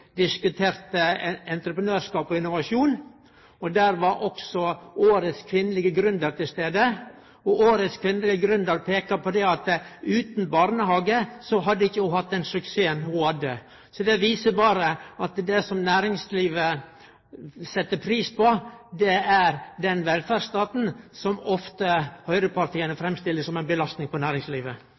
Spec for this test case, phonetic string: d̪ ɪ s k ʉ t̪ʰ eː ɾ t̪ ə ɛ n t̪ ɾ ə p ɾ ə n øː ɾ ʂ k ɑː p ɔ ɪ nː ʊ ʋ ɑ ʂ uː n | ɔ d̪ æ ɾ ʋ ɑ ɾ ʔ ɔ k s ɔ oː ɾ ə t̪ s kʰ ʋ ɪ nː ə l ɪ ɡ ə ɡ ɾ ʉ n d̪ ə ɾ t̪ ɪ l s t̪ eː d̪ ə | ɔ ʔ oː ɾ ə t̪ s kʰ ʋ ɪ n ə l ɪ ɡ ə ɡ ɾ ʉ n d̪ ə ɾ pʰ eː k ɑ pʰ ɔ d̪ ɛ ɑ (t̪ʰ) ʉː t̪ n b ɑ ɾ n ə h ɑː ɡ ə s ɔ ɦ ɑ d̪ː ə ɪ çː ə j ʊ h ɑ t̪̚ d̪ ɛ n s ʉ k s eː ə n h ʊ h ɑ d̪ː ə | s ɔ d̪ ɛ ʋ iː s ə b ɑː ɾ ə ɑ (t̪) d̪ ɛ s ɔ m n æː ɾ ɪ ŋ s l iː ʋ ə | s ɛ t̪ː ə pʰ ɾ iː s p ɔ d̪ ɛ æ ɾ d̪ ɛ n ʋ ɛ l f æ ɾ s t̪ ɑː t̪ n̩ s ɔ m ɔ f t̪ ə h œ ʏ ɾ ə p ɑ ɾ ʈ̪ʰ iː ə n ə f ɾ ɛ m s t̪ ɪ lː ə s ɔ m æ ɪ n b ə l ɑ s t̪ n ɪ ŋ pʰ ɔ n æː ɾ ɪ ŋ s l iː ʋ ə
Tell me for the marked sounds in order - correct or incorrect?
incorrect: t̪, correct

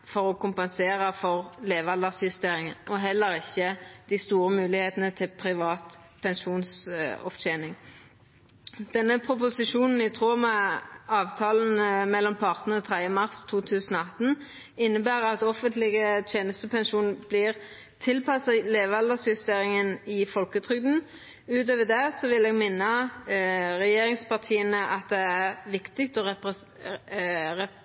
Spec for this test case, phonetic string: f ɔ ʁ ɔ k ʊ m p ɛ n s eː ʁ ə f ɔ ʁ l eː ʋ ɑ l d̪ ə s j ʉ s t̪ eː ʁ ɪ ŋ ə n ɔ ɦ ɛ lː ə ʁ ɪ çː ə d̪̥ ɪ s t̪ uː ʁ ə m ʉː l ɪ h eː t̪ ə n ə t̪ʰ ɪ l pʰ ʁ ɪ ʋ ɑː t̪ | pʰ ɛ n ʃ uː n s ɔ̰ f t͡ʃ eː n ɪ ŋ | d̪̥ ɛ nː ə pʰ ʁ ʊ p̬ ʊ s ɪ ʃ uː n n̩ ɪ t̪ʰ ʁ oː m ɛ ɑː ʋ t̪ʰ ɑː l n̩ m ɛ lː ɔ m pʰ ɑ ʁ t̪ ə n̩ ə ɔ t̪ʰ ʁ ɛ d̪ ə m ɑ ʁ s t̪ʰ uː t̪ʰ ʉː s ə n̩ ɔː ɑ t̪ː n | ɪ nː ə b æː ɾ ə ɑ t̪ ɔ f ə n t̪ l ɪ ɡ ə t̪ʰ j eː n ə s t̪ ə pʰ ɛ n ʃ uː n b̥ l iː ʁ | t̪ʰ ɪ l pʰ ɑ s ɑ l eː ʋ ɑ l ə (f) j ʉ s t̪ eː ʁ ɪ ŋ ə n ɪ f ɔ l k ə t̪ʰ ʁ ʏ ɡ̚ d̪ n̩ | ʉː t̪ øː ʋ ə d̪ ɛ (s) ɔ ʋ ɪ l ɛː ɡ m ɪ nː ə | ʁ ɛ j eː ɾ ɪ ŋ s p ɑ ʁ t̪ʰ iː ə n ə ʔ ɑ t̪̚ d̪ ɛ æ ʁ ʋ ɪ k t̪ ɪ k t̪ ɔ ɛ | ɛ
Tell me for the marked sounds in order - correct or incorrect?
incorrect: s, correct

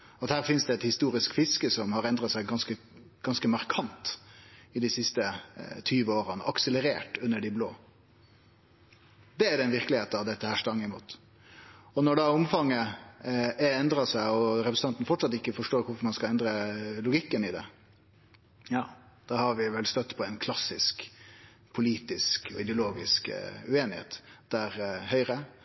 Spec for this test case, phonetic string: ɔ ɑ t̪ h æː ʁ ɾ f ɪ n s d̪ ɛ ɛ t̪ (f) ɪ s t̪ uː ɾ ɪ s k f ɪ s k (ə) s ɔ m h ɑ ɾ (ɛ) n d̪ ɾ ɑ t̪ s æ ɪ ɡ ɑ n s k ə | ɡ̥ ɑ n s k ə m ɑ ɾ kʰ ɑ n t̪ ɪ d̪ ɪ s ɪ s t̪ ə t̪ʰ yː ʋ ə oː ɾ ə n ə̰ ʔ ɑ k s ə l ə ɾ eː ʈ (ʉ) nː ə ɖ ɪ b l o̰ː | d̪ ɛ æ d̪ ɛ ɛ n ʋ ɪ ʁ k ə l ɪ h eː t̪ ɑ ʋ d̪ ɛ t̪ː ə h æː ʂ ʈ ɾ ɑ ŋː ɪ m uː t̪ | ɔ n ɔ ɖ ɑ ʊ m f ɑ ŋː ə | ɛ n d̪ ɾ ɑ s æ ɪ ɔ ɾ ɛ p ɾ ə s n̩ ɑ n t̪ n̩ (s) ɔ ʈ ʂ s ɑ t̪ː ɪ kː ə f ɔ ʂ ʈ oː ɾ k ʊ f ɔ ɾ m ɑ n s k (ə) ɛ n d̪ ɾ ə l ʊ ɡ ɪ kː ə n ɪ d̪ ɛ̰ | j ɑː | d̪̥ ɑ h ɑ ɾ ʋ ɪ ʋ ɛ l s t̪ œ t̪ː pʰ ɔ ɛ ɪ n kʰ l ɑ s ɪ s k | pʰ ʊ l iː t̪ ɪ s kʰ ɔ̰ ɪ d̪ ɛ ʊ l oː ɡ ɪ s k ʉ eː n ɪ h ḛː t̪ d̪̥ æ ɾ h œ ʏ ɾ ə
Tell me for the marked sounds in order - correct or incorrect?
incorrect: h, correct, correct, correct, incorrect: f, incorrect: ɑ

